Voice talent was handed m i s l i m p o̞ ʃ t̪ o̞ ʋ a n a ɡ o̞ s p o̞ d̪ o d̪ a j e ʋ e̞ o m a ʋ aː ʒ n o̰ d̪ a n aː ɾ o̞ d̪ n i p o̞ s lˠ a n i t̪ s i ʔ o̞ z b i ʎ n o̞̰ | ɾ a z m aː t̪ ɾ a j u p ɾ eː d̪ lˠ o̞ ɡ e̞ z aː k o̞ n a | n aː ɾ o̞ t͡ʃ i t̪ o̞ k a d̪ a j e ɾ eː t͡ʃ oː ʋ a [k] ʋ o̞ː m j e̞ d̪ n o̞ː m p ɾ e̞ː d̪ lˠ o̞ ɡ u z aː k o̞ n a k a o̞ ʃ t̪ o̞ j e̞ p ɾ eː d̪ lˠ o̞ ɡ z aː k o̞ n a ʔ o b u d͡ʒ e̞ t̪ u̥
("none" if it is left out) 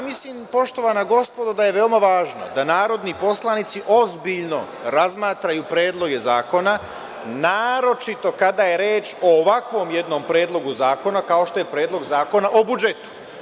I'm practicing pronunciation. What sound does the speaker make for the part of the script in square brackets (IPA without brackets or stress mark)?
k